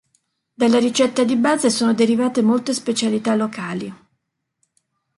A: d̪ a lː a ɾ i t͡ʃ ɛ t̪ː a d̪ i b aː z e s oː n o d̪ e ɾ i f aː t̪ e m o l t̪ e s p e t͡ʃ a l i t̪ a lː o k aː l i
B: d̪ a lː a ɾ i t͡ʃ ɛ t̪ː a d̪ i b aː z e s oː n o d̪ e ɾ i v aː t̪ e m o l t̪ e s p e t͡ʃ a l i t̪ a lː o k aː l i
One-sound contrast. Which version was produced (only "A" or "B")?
B